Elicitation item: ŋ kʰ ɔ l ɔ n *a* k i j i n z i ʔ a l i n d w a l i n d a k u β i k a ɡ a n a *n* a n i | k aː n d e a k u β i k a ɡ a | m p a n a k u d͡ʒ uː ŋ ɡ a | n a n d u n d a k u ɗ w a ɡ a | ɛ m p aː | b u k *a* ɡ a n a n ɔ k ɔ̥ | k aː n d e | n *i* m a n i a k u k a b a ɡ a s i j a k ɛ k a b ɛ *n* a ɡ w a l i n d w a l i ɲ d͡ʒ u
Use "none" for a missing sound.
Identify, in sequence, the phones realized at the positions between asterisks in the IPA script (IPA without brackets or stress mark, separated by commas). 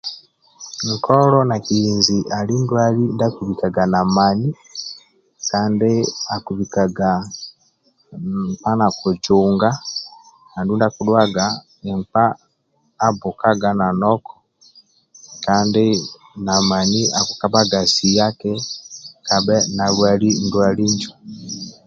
a, m, a, a, n